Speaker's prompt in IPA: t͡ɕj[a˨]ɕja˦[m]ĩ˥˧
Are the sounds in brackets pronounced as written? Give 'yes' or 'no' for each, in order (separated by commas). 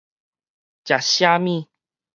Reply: yes, yes